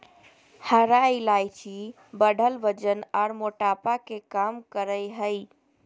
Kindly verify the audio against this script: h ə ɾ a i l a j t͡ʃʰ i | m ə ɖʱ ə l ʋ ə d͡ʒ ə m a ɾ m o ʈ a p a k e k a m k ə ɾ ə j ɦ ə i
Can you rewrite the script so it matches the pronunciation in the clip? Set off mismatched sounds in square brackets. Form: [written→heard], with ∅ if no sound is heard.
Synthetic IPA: h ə ɾ a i l a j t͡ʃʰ i | [m→b] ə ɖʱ ə l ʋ ə d͡ʒ ə [m→n] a ɾ m o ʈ a p a k e k a m k ə ɾ ə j ɦ ə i